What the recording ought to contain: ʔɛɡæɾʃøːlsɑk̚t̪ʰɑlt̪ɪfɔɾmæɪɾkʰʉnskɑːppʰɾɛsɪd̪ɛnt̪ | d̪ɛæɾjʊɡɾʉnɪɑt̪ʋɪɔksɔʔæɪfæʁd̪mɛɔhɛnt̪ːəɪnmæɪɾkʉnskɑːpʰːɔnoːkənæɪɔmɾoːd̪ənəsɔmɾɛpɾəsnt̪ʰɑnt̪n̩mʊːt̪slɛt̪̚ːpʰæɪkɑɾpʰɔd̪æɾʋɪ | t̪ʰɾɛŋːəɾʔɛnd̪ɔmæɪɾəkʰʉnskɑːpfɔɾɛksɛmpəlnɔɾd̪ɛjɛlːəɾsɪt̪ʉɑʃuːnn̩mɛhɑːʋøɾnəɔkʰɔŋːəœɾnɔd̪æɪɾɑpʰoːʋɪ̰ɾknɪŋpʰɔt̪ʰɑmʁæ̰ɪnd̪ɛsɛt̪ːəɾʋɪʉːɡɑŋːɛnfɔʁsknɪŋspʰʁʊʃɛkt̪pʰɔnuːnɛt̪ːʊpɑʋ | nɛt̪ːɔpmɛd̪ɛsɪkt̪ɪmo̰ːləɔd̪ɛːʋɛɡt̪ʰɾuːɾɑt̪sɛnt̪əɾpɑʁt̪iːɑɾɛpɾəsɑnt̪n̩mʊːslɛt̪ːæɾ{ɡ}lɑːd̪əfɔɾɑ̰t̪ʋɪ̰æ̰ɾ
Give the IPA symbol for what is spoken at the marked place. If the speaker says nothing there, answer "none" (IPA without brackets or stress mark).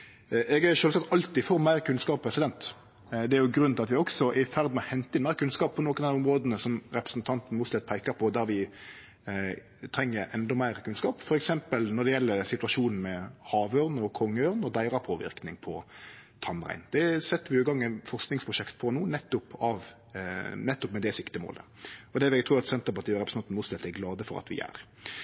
ɡ